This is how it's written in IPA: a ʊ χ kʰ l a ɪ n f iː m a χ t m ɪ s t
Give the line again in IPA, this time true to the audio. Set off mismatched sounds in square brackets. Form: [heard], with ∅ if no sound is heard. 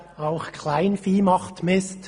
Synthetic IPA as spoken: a ʊ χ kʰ l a ɪ n f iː m [ɑ] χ t m ɪ s t